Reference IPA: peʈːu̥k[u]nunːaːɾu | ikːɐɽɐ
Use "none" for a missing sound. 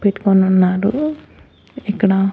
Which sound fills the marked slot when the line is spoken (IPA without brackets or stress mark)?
o